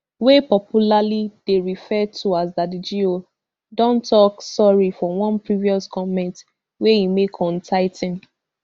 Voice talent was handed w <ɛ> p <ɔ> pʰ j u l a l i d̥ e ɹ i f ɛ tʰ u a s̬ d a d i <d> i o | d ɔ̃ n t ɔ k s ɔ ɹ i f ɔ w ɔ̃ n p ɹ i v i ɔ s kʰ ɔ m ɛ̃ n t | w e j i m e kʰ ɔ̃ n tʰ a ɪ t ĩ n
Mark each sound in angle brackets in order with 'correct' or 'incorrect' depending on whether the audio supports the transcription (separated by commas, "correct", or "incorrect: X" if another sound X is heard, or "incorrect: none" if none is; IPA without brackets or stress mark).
incorrect: e, correct, incorrect: d͡ʒ